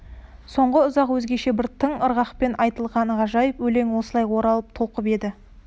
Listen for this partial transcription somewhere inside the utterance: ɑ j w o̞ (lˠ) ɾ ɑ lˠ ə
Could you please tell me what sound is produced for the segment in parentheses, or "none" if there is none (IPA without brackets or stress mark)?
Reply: none